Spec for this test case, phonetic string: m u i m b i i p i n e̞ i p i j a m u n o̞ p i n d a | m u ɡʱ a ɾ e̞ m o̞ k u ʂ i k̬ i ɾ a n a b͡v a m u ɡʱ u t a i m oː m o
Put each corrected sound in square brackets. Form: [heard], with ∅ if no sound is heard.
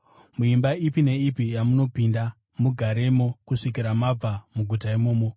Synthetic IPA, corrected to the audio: m u i m b [a] i p i n e̞ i p i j a m u n o̞ p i n d a | m u ɡʱ a ɾ e̞ m o̞ k u ʂ i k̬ i ɾ a [m] a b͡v a m u ɡʱ u t a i m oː m o